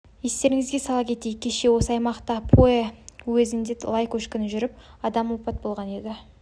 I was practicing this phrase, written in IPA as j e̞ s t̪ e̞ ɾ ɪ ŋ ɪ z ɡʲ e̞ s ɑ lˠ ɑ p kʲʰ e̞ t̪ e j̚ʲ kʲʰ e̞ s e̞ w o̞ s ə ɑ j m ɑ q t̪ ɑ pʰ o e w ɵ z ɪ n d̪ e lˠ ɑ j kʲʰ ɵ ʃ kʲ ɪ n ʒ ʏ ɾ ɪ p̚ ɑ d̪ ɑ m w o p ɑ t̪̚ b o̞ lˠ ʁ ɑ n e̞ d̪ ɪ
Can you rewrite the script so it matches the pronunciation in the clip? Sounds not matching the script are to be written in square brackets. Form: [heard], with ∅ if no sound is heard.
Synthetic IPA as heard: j e̞ s t̪ e̞ ɾ ɪ ŋ ɪ z ɡʲ e̞ s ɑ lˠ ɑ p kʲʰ e̞ t̪ e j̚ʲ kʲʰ e̞ [ʃ] e̞ w o̞ s ə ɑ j m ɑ q t̪ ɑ pʰ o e w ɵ z ɪ n d̪ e lˠ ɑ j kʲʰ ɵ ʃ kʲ ɪ n ʒ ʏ ɾ ɪ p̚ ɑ d̪ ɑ m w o p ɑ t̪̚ b o̞ lˠ ʁ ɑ n e̞ d̪ ɪ